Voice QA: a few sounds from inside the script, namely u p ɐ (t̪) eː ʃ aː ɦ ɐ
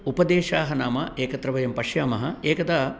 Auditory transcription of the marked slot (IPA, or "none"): d̪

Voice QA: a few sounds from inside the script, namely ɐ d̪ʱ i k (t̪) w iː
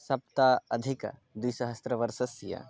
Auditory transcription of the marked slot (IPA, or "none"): d̪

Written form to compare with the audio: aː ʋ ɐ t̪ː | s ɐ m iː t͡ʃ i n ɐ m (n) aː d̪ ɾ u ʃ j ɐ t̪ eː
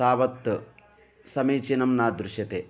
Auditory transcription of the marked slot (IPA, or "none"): n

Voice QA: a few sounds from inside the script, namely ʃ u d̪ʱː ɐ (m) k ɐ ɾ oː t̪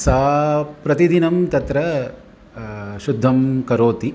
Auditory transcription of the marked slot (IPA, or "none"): m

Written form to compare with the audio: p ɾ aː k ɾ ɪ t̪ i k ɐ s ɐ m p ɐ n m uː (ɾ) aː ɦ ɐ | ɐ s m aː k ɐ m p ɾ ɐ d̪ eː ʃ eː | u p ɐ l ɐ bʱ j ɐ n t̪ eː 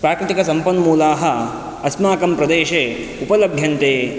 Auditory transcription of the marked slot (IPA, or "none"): l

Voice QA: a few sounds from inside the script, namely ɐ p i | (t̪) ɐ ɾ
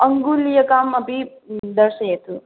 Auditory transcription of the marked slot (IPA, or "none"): d̪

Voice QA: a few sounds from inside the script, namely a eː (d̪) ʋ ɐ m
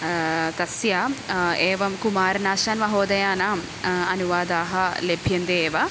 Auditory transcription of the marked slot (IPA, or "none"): none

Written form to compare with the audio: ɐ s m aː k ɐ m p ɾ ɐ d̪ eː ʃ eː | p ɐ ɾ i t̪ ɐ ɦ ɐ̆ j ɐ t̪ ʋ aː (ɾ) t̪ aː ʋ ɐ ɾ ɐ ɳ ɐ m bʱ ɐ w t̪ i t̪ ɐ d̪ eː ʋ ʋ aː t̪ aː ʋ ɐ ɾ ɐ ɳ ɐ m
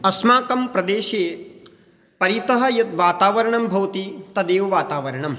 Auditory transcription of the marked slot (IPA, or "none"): none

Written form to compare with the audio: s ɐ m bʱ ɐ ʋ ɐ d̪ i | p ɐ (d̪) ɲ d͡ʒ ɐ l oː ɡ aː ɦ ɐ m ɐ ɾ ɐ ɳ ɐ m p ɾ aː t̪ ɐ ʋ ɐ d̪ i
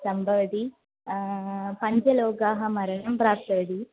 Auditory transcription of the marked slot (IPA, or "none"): none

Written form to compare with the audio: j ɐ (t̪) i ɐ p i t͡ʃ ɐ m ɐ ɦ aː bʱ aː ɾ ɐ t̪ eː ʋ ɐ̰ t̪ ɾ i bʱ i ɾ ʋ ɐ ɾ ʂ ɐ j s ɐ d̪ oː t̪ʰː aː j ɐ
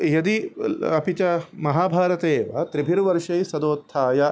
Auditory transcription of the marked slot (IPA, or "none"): d̪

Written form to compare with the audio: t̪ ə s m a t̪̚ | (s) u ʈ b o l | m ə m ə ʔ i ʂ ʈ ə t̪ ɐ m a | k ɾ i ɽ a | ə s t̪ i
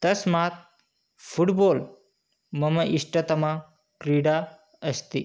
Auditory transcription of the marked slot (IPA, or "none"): f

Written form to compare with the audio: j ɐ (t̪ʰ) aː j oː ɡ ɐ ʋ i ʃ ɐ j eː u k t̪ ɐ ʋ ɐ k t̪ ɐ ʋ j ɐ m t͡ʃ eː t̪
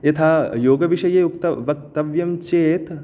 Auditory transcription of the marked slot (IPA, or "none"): t̪ʰ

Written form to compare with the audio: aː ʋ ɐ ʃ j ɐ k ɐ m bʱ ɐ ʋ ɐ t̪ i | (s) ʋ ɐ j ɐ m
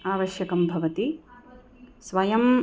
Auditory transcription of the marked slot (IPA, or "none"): s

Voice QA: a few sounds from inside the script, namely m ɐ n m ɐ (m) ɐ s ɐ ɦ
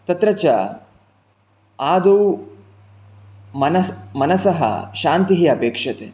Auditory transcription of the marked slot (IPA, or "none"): n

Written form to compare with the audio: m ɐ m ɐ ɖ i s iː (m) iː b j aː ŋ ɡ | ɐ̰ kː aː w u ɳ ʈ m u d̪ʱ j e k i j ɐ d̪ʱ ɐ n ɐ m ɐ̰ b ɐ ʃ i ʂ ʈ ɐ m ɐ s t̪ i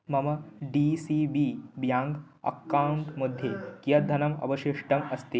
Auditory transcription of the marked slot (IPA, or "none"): b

